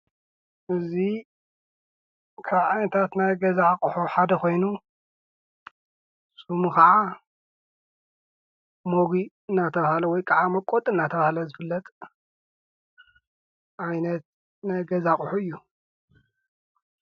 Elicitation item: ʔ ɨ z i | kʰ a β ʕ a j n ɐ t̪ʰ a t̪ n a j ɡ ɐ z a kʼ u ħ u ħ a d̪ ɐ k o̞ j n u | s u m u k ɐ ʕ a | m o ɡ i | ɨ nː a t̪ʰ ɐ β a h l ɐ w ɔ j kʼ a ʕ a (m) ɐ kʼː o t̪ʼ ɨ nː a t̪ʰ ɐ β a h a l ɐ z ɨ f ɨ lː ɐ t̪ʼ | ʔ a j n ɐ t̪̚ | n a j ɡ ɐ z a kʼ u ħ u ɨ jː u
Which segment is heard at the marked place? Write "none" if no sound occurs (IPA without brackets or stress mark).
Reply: m